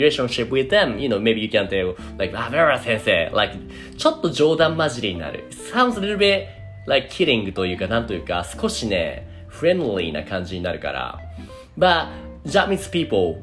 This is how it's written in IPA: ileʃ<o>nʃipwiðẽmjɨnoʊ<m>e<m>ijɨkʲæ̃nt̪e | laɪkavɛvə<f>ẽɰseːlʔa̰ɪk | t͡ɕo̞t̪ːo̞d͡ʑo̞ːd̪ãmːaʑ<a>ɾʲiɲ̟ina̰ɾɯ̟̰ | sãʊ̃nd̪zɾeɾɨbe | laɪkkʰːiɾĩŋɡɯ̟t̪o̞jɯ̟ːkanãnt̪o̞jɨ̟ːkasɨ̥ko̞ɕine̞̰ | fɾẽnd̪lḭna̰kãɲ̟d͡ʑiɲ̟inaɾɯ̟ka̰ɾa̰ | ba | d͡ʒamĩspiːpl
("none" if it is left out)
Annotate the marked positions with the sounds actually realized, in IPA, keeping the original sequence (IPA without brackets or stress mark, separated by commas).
õ, m, b, s, i